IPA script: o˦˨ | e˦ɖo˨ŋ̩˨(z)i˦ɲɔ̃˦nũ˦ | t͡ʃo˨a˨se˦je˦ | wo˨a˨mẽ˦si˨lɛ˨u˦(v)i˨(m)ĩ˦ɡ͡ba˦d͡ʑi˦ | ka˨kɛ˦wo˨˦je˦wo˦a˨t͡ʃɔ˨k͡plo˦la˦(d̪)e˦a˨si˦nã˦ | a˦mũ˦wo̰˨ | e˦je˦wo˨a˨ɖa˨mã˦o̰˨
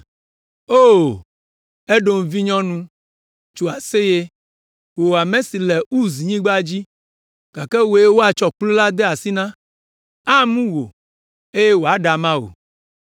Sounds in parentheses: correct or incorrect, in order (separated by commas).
incorrect, incorrect, incorrect, correct